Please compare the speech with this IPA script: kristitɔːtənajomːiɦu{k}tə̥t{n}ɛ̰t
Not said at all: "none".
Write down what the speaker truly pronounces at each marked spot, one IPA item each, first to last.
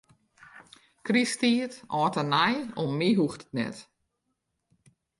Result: x, n

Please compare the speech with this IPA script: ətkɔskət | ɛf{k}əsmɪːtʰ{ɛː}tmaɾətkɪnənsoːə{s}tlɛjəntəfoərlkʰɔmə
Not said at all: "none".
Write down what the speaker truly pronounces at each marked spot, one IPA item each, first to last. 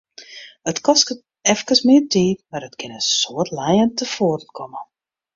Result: k, iː, none

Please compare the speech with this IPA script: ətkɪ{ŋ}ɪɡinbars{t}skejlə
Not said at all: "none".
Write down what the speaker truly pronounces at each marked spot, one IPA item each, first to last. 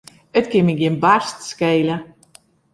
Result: m, t

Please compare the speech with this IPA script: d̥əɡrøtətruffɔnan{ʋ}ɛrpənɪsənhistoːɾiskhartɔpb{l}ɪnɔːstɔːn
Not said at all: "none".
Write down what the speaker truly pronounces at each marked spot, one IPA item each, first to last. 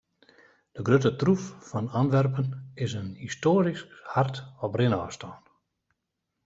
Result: ʋ, r

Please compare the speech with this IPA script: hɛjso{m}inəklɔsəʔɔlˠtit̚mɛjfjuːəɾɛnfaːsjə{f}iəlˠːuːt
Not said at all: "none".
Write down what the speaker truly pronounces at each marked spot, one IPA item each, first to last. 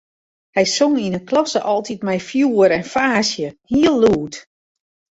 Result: ŋ, h

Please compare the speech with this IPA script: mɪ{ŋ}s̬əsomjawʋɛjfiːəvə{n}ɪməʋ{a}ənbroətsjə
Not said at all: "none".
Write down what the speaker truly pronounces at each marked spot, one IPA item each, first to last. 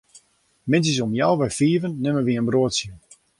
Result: n, nː, i

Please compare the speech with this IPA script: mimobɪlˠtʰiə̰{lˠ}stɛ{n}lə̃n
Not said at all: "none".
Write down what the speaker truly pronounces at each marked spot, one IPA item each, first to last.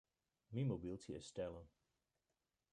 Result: none, none

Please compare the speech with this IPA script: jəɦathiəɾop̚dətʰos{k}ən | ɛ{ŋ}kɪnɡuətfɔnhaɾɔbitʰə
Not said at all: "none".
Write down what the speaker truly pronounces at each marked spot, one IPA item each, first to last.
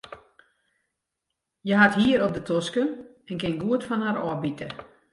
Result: k, n

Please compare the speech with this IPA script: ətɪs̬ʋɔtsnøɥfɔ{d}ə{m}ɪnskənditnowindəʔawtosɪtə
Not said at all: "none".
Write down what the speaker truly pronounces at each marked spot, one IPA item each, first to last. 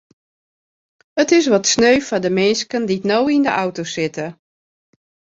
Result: d, m

